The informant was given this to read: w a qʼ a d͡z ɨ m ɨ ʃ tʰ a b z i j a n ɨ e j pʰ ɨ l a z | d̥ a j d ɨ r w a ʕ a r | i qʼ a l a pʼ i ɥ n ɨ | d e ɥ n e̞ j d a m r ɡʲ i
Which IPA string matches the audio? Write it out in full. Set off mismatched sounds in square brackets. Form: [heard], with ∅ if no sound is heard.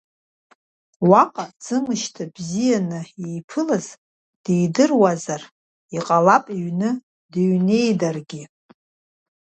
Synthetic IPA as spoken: w a qʼ a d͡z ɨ m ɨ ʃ tʰ a b z i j a n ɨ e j pʰ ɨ l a z | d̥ [e] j d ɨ r w a [z] a r | i qʼ a l a pʼ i ɥ n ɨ | d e ɥ n e̞ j d a [∅] r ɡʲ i

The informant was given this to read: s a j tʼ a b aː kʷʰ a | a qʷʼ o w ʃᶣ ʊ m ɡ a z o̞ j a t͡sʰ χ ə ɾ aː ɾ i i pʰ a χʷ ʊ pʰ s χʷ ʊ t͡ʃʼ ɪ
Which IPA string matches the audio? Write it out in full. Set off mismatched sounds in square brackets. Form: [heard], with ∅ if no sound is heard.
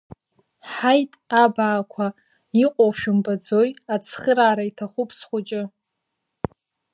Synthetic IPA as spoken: [ħ] a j tʼ a b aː kʷʰ a | [i] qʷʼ o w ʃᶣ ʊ m [b] a [d͡z] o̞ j a t͡sʰ χ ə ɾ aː ɾ [a] i [tʰ] a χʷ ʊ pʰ s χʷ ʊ t͡ʃʼ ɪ

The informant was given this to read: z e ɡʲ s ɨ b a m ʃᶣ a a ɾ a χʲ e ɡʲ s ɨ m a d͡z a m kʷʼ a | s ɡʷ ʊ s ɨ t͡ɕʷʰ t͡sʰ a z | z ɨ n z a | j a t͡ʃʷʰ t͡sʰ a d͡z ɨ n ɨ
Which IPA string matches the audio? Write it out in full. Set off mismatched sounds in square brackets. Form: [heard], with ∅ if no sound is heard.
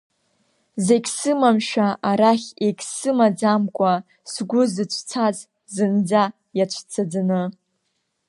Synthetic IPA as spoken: z e ɡʲ s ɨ [m] a m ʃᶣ a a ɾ a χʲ e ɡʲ s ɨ m a d͡z a m kʷʼ a | s ɡʷ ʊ [z] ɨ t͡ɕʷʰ t͡sʰ a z | z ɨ n [d͡z] a | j a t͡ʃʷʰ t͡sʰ a d͡z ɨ n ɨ

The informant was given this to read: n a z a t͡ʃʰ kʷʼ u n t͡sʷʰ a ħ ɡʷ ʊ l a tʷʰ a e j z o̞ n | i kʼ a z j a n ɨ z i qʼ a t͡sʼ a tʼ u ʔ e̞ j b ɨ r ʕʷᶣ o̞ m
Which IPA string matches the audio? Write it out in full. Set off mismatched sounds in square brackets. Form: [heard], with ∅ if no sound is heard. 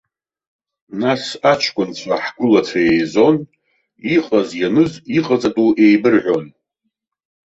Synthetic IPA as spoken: n a [s] a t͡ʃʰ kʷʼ [ʊ] n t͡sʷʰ a ħ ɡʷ ʊ l a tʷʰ a e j z o̞ n | i [qʼ] a z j a n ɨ z i qʼ a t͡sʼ a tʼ u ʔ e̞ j b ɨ r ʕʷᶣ o̞ [n]

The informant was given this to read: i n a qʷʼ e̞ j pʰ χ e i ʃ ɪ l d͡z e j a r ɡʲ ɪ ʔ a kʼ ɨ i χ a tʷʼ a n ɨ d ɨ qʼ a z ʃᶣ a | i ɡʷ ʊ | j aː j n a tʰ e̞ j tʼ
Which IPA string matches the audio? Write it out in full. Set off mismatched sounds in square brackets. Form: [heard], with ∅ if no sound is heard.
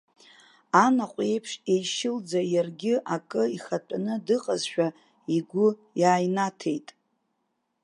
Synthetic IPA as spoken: [a] n a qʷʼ e̞ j pʰ [ʂ] e [j] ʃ ɪ l d͡z [a] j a r ɡʲ ɪ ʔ a kʼ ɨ i χ a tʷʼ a n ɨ d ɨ qʼ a z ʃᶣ a | i ɡʷ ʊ | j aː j n a tʰ e̞ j tʼ

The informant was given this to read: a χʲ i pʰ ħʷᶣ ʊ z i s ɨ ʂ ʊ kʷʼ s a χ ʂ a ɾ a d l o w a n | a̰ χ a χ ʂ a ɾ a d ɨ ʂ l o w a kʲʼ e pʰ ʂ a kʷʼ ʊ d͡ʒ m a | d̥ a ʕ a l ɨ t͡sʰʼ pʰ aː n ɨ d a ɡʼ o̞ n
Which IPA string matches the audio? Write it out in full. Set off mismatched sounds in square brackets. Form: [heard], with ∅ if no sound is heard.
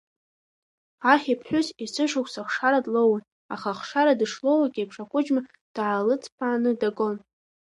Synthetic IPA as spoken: a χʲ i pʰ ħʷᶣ ʊ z i s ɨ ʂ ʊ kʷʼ s a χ ʂ a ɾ a d l o w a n | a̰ χ a χ ʂ a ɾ a d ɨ ʂ l o w a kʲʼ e pʰ ʂ a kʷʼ ʊ d͡ʒ m a | d̥ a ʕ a l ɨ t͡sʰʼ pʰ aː n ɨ d a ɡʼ o̞ n

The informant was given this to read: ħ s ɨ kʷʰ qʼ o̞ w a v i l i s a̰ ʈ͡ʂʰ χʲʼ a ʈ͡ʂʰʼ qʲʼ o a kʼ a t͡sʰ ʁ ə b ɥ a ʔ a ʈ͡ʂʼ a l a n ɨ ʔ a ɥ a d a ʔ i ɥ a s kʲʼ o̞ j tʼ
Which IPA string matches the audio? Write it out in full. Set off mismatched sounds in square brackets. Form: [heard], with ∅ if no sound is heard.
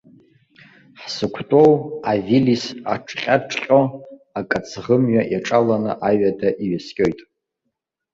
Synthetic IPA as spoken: ħ s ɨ kʷʰ [tʼ] o̞ w a v i l i s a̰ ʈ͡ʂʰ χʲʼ a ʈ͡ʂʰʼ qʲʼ o a kʼ a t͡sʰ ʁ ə [m] ɥ a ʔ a ʈ͡ʂʼ a l a n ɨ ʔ a ɥ a d a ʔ i ɥ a s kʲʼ o̞ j tʼ

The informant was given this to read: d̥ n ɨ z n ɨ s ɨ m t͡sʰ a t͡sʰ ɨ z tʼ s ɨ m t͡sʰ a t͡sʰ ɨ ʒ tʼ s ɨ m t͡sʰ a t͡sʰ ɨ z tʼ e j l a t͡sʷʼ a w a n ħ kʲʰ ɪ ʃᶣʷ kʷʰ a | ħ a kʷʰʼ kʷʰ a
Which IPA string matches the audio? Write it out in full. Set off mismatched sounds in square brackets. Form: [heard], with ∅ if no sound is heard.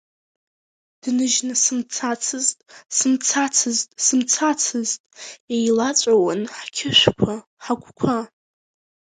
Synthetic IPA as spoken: d̥ n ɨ [ʒ] n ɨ s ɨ m t͡sʰ a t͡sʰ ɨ z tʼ s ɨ m t͡sʰ a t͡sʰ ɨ [z] tʼ s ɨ m t͡sʰ a t͡sʰ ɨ z tʼ e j l a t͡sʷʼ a w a n ħ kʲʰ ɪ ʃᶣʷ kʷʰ a | ħ a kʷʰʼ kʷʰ a

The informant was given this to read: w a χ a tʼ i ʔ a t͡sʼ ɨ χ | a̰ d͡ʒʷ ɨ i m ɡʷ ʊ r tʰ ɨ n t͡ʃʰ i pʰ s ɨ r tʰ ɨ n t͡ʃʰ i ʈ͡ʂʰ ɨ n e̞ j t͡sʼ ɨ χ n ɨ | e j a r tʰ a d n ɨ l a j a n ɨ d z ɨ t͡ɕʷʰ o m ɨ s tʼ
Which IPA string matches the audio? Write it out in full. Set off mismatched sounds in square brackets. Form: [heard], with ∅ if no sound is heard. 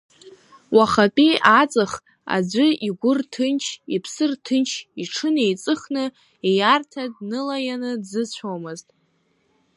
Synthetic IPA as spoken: w a χ a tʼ i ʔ a t͡sʼ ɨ χ | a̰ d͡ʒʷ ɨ i [∅] ɡʷ ʊ r tʰ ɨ n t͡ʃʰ i pʰ s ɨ r tʰ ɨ n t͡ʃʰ i ʈ͡ʂʰ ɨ n e̞ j t͡sʼ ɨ χ n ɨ | e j a r tʰ a d n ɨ l a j a n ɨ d z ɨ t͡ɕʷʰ o m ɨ [z] tʼ

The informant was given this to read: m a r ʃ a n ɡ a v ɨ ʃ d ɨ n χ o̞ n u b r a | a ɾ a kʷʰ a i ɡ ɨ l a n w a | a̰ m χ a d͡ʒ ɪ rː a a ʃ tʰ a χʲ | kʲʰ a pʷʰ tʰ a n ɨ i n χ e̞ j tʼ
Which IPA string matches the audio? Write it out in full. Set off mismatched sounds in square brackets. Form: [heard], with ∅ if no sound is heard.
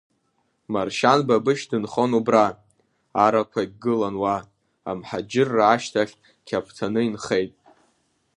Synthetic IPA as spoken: m a r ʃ a n [b] a [b] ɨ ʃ d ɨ n χ o̞ n u b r a | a ɾ a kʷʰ a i ɡ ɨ l a n w a | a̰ m [ħ] a d͡ʒ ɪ rː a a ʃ tʰ a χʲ | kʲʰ a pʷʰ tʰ a n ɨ i n χ e̞ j tʼ

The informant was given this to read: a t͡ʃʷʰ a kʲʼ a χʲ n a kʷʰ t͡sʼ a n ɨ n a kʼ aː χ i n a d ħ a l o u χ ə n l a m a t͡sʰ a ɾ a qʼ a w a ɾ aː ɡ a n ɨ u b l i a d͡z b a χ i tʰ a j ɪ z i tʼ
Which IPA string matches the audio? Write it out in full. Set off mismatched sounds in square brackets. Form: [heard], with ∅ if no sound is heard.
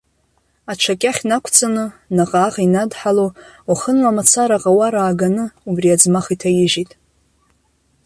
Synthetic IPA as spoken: a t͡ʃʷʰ a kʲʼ a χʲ n a kʷʰ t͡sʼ a n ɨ n a [qʼ] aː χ i n a d ħ a l o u χ ə n l a m a t͡sʰ a ɾ a qʼ a w a ɾ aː ɡ a n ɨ u b [r] i a d͡z [m] a χ i tʰ a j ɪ [ʒ] i tʼ

